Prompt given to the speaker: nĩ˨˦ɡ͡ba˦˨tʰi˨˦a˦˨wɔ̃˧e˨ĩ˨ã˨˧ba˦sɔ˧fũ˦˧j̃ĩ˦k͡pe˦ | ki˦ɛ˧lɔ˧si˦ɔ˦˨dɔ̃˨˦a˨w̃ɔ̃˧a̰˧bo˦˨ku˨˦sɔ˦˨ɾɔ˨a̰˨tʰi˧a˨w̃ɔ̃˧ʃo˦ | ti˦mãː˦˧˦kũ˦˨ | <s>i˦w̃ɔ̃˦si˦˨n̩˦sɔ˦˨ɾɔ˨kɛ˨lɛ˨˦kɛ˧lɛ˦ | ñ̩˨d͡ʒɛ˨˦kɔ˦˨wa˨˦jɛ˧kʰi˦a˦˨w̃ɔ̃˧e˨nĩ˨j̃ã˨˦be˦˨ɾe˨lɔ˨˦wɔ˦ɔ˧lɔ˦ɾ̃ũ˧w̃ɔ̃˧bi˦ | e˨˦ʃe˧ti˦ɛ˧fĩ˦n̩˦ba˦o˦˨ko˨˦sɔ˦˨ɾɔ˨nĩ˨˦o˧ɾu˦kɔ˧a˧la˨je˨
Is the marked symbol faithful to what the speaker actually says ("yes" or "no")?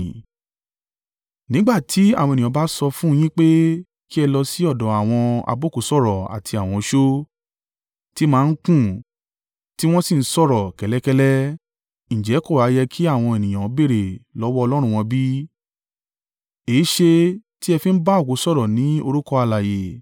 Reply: no